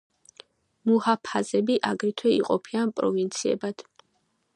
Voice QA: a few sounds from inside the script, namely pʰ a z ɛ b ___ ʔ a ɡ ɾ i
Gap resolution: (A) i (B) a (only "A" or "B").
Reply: A